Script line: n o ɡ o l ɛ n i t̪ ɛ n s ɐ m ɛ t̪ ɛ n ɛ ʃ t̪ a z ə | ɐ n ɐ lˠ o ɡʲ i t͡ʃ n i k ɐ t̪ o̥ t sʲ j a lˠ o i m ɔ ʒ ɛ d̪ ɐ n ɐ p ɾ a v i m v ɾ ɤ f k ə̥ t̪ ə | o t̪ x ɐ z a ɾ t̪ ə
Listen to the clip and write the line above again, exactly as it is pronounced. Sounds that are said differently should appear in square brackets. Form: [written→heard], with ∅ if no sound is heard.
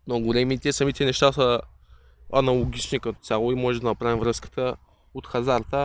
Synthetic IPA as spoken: n o ɡ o l ɛ [n→m] i t̪ ɛ [n→∅] s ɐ m [ɛ→i] t̪ ɛ n ɛ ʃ t̪ a [z→s] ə | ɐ n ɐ lˠ o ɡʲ i t͡ʃ n i k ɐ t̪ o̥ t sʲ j a lˠ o i m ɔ ʒ ɛ d̪ ɐ n ɐ p ɾ a v i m v ɾ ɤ [f→s] k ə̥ t̪ ə | o t̪ x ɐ z a ɾ t̪ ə